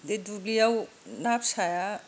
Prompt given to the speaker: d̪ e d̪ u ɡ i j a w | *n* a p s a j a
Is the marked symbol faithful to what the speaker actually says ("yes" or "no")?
yes